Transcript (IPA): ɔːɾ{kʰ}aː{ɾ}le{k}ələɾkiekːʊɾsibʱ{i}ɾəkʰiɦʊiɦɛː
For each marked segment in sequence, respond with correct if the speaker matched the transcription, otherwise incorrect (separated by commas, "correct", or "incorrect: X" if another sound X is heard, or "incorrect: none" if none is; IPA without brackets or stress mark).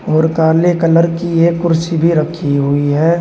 incorrect: k, correct, correct, correct